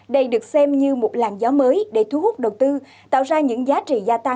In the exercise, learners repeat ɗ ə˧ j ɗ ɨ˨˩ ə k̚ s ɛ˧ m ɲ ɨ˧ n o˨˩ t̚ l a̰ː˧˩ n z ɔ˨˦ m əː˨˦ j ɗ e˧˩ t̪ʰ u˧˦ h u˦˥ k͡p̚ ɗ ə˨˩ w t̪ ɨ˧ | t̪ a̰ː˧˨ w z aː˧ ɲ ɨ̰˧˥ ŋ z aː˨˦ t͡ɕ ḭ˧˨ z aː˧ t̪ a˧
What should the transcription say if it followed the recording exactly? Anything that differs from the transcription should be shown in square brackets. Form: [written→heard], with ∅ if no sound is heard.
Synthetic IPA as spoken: ɗ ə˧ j ɗ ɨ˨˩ ə k̚ s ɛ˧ m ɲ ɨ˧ [n→m] o˨˩ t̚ l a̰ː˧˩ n z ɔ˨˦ m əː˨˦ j ɗ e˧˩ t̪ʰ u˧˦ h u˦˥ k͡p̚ ɗ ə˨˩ w t̪ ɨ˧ | t̪ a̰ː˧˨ w z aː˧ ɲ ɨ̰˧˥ ŋ z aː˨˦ t͡ɕ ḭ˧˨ z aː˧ t̪ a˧